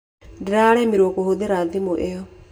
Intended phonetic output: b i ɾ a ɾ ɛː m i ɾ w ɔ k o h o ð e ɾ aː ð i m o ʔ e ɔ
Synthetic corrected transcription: d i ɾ a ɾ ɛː m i ɾ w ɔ k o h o ð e ɾ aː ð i m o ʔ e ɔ